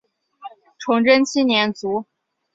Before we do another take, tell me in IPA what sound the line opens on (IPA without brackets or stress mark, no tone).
ʈ͡ʂʰ